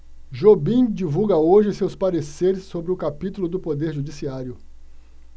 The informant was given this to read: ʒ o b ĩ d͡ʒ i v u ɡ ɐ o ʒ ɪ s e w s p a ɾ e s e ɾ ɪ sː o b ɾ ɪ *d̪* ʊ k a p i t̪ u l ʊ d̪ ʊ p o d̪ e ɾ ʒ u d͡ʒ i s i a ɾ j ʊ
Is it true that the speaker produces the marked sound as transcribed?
no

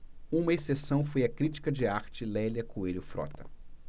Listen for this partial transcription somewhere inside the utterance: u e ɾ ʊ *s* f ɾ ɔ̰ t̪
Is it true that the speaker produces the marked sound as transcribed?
no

